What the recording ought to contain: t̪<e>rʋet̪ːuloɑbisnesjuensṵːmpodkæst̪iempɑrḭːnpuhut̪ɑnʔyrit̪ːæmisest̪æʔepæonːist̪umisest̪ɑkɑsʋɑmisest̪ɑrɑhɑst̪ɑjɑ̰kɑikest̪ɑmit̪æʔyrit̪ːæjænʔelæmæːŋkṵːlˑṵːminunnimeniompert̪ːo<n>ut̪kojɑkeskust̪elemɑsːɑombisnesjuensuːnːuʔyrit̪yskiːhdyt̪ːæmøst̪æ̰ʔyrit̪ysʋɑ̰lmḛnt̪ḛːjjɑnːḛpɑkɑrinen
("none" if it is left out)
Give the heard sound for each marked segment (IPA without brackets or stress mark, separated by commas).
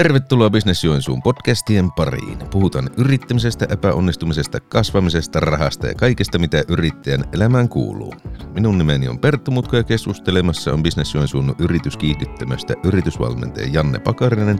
e, m